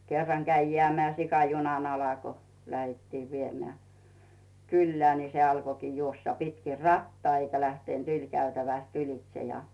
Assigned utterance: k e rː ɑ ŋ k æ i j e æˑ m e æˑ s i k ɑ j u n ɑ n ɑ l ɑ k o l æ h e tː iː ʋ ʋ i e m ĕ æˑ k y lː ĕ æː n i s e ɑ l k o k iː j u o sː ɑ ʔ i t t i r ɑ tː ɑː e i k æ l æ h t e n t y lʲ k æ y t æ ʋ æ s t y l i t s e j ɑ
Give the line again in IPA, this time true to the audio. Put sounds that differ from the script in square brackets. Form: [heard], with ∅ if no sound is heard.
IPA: k e rː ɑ ŋ k æ i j e æˑ m e æˑ s i k ɑ j u n ɑ n ɑ l ɑ k o l æ h e tː iː ʋ ʋ i e m ĕ æˑ k y lː ĕ æː n i s e ɑ l k o k iː j u o sː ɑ [p] i t [k] i r ɑ tː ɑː e i k æ l æ h t e n t y lʲ k æ y t æ ʋ æ s t y l i t s e j ɑ